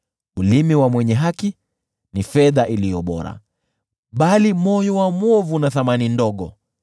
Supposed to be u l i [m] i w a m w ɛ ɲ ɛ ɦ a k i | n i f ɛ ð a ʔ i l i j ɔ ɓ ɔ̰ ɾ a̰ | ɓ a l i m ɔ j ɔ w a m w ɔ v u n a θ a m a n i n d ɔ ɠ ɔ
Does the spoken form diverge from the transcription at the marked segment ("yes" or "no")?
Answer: no